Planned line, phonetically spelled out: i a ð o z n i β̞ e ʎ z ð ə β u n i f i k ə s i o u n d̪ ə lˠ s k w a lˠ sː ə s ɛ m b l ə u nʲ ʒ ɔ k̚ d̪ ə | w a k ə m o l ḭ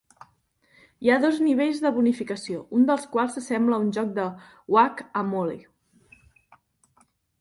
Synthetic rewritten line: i a ð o z n i β̞ e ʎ z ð ə β u n i f i k ə s i o u n d̪ ə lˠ s k w a lˠ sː ə s ɛ m b l ə u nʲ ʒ ɔ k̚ d̪ ə | w a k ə m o l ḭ